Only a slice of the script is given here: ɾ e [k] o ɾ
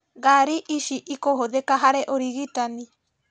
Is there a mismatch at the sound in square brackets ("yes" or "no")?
yes